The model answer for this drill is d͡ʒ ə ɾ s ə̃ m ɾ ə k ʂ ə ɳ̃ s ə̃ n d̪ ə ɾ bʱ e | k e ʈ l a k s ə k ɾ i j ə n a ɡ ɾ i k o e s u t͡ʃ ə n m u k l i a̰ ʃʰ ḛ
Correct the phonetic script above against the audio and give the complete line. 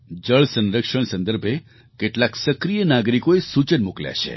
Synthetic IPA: d͡ʒ ə ɭ s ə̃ n ɾ ə k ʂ ə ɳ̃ s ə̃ n d̪ ə ɾ bʱ e | k e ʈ l a k s ə k ɾ i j ə n a ɡ ɾ i k o e s u t͡ʃ ə n m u k l j a̰ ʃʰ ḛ